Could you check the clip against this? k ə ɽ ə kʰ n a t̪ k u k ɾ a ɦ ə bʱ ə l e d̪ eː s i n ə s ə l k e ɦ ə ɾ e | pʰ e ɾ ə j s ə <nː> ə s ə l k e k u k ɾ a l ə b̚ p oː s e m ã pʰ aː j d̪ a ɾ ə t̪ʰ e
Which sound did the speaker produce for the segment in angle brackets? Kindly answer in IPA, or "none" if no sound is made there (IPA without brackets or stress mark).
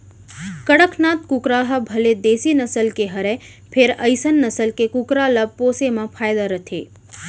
nː